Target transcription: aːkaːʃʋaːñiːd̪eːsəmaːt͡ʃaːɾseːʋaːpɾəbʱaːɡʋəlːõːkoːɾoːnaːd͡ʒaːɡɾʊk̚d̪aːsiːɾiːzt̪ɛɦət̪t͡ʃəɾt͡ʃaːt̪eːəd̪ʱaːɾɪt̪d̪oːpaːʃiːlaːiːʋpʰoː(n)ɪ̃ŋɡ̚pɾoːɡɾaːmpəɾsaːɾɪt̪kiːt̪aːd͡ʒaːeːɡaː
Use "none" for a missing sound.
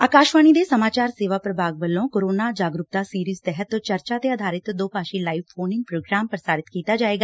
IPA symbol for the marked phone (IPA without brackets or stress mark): n